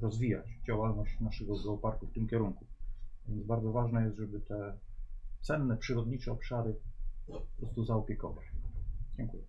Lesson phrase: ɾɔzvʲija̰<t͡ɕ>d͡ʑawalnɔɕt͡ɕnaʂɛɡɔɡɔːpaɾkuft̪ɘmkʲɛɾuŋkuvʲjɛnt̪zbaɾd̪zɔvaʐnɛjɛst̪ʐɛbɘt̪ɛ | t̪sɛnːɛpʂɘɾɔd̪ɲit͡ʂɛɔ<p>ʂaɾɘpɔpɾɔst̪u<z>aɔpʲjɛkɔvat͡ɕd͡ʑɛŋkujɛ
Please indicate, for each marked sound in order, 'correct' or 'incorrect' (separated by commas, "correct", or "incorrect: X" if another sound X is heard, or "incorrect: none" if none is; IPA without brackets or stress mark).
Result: correct, correct, correct